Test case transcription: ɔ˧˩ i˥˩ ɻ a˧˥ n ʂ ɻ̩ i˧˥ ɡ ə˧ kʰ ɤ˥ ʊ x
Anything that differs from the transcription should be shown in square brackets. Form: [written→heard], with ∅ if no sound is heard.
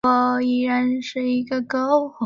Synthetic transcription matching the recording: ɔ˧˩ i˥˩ ɻ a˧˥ n ʂ ɻ̩ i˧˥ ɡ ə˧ [kʰ→k] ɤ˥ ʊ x